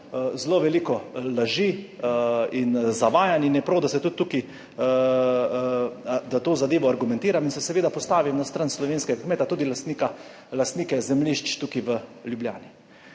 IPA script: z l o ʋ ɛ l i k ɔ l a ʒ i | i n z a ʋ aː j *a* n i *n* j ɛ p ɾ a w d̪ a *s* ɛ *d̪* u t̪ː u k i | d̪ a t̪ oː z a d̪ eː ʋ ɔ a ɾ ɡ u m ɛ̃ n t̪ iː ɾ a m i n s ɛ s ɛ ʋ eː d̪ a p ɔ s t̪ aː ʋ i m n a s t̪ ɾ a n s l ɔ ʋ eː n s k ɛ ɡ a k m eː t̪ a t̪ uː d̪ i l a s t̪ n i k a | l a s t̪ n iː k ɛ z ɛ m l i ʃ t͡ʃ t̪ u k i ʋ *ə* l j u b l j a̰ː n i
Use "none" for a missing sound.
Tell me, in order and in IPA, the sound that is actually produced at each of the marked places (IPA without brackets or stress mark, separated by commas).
a, n, s, t̪, ə